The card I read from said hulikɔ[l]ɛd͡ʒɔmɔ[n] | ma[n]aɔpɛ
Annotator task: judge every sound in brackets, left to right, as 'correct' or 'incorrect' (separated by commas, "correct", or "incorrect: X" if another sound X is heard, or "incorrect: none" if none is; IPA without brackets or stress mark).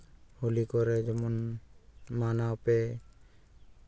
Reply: incorrect: ɾ, correct, correct